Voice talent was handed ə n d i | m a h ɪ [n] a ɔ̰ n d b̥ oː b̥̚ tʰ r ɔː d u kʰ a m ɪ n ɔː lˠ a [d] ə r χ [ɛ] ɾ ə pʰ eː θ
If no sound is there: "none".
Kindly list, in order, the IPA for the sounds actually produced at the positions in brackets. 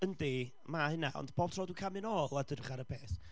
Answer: n, d, a

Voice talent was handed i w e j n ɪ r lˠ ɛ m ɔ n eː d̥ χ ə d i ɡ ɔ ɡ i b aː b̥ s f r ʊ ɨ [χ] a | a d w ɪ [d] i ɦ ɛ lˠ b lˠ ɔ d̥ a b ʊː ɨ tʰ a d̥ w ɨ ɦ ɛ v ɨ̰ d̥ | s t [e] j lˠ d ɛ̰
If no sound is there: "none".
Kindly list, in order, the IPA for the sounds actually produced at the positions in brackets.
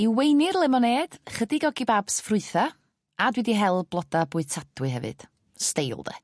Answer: θ, d, e

